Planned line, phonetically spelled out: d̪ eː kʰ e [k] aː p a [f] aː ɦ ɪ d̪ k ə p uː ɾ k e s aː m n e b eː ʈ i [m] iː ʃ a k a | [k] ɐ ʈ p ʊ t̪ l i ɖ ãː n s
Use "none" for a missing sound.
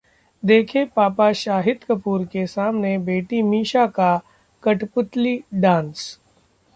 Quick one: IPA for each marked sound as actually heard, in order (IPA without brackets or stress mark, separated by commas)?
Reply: p, ʃ, m, k